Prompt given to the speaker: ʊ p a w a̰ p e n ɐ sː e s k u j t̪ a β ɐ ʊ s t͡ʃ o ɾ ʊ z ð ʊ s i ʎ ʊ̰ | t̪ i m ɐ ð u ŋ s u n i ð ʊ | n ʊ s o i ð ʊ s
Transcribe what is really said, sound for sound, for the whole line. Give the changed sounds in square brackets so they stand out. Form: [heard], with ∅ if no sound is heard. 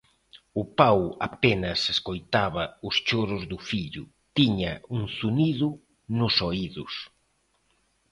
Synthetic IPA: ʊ p a w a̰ p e n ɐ [s] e s k [o] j t̪ a β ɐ ʊ s t͡ʃ o ɾ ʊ z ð ʊ [f] i ʎ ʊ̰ | t̪ i [ɲ] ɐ [∅] u ŋ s u n i ð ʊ | n ʊ s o i ð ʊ s